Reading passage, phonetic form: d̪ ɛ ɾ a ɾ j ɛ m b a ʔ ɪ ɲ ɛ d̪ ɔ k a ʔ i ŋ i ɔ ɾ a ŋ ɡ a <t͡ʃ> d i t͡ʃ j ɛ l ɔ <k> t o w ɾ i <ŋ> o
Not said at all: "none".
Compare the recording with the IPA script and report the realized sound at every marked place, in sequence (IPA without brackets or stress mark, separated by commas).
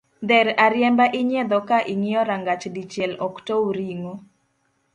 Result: t͡ʃ, k, ŋ